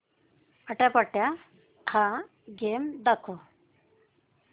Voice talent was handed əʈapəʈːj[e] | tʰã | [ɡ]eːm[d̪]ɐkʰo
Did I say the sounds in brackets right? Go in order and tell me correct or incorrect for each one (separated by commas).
incorrect, correct, correct